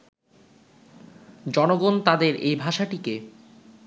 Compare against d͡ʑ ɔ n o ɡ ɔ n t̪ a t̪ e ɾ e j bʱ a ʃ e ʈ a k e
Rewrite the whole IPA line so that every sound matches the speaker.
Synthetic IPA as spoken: d͡ʑ ɔ n o ɡ o n t̪ a d̪ e ɾ e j bʱ a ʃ a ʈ i k e

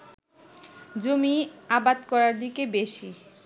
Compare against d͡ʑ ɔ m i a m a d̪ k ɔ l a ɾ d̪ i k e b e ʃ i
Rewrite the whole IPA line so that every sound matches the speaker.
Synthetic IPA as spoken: d͡ʑ o m i a b a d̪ k ɔ ɾ a ɾ d̪ i k e b e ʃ i

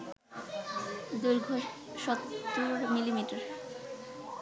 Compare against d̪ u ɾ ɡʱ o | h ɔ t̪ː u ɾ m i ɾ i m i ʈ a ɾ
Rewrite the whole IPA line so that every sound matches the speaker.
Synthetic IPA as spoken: d̪ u ɾ ɡʱ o | ʃ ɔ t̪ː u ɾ m i l i m i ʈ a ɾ

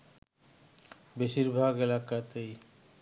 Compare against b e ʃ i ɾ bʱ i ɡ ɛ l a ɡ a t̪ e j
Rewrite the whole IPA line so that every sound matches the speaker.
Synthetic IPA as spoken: b e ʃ i ɾ bʱ a ɡ e l a k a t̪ e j

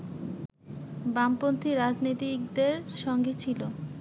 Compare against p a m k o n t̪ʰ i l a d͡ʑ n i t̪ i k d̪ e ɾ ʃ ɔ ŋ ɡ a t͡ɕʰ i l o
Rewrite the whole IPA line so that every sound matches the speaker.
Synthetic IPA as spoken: b a m p o n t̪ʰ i ɾ a d͡ʑ n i t̪ i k d̪ e ɾ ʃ ɔ ŋ ɡ e t͡ɕʰ i l o

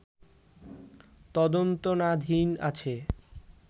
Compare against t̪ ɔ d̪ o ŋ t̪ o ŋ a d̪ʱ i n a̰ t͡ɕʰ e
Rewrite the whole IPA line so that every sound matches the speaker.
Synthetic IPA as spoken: t̪ ɔ d̪ o n t̪ o n a d̪ʱ i n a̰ t͡ɕʰ e

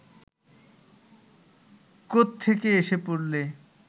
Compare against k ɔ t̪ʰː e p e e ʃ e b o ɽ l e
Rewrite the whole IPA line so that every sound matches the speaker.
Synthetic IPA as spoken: k o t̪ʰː e k e e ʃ e p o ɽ l e

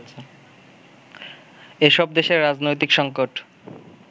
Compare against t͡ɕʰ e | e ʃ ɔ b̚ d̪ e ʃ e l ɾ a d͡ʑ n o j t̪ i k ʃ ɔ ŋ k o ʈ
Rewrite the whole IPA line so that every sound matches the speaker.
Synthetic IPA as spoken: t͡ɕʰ e | e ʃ ɔ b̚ d̪ e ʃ e ɾ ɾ a d͡ʑ n o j t̪ i k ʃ ɔ ŋ k o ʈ

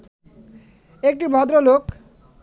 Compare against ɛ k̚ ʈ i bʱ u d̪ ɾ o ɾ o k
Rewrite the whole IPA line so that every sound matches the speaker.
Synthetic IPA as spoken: e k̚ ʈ i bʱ ɔ d̪ ɾ o l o k

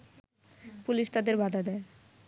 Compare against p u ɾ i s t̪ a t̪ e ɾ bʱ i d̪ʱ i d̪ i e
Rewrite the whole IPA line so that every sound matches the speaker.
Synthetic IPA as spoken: p u l i ʃ t̪ a d̪ e ɾ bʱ a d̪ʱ a d̪ ɛ e

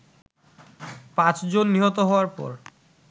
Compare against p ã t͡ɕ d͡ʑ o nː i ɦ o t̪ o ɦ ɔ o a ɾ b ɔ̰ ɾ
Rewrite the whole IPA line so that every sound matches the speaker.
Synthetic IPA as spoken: p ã t͡ɕ d͡ʑ o nː i ɦ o t̪ o ɦ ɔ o a ɾ p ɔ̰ ɾ

